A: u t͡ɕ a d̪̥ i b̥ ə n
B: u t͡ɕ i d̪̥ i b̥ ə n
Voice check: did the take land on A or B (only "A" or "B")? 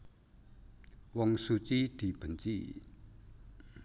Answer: B